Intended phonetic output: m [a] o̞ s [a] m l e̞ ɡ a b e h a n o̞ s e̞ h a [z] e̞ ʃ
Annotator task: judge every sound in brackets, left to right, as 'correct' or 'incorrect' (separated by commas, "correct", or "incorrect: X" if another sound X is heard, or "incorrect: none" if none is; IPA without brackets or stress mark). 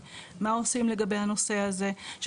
correct, incorrect: i, correct